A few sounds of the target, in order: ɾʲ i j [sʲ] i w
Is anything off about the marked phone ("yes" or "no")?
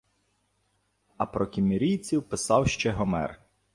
yes